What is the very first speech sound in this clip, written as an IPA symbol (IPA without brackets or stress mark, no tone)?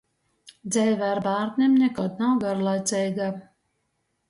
d̪